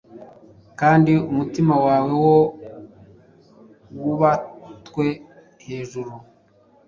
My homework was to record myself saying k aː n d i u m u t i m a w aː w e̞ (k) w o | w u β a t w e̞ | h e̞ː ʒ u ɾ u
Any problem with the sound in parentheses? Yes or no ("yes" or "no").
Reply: yes